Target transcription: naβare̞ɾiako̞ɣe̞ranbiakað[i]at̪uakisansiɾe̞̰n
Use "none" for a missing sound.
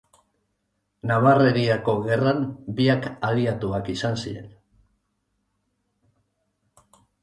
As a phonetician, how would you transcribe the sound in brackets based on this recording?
i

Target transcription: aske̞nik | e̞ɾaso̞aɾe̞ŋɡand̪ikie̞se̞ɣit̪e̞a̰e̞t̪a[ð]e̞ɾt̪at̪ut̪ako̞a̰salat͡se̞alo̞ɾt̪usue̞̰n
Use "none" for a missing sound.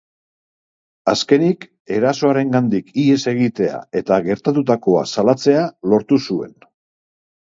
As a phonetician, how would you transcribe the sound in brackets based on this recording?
ɣ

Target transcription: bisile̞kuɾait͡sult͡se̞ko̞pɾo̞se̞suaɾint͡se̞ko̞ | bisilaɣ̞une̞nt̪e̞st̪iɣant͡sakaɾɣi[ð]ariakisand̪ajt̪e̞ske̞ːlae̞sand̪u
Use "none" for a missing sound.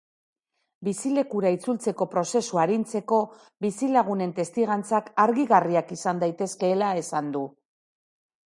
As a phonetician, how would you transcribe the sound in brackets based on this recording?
ɣ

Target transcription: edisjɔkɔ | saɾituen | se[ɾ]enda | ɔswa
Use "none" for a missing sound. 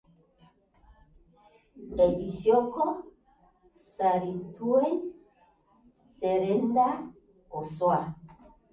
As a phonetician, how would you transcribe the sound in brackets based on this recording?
ɾ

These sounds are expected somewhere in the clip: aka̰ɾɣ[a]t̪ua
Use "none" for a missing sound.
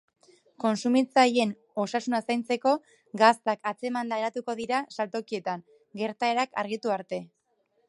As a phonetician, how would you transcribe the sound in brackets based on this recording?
i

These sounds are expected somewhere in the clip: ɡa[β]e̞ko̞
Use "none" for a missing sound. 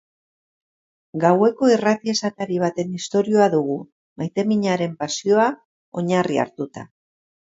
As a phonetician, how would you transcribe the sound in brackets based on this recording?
w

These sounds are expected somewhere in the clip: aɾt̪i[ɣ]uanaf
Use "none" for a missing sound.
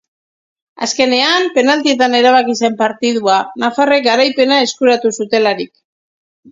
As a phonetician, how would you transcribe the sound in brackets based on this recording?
ð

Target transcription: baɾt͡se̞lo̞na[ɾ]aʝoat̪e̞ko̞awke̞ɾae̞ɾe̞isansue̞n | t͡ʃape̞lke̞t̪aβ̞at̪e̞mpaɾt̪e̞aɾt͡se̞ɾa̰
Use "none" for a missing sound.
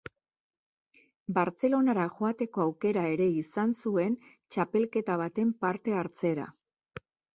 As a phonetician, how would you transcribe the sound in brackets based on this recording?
ɾ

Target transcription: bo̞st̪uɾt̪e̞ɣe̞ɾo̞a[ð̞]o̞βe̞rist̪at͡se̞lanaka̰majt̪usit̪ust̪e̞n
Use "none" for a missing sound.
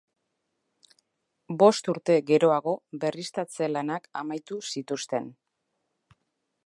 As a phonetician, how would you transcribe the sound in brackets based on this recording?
ɣ̞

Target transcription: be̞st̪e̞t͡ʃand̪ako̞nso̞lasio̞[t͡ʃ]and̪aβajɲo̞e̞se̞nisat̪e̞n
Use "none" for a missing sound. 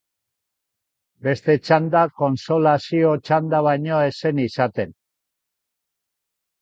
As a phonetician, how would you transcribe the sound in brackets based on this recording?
t͡ʃ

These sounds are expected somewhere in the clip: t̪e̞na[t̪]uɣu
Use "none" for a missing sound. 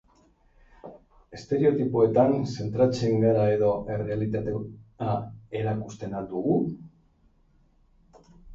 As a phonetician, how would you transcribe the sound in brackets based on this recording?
d̪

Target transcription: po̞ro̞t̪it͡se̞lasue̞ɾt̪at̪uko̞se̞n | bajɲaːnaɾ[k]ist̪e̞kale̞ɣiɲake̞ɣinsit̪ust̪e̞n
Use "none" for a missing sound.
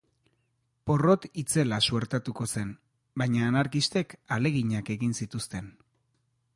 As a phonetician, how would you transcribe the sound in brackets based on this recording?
k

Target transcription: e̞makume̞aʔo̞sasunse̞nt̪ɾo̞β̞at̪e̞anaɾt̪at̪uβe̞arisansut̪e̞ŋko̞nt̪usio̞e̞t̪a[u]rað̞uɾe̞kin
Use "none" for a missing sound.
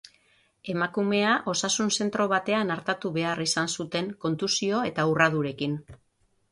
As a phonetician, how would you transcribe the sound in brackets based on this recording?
u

